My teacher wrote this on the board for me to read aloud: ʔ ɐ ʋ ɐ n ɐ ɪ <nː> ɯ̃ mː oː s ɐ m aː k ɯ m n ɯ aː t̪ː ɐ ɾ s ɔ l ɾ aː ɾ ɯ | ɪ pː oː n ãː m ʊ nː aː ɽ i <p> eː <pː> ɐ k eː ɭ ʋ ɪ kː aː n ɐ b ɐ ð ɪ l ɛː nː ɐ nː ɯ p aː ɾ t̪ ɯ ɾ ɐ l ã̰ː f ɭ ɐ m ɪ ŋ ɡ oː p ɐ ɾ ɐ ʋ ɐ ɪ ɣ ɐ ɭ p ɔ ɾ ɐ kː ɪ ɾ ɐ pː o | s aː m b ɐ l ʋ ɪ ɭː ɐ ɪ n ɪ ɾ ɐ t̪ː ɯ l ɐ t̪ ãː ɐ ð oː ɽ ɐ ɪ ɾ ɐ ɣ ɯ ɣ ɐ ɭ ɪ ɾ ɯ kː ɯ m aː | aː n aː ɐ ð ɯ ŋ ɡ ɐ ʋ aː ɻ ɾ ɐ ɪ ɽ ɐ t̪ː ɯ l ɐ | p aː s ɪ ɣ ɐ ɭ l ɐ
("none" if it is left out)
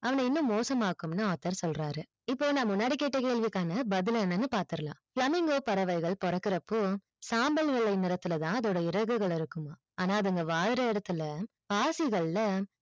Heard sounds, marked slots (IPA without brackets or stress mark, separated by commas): nː, k, ʈː